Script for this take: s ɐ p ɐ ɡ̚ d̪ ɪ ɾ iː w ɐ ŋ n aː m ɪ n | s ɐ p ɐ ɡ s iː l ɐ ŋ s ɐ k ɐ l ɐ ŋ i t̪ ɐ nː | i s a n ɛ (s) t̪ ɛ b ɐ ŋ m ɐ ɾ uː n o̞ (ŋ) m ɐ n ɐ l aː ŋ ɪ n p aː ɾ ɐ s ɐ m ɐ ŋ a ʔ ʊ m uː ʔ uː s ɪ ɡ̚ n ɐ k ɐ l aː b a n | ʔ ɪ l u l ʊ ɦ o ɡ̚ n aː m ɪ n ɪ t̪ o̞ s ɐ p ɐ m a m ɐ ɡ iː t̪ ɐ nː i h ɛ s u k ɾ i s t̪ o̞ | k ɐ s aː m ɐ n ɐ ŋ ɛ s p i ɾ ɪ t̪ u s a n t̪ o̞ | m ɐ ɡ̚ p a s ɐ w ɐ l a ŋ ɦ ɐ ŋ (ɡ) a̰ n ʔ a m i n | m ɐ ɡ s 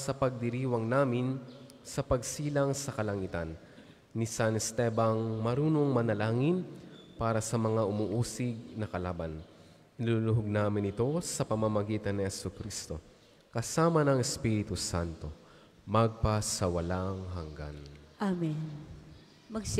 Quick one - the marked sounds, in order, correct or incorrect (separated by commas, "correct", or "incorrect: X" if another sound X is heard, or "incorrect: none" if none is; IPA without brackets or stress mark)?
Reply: correct, correct, correct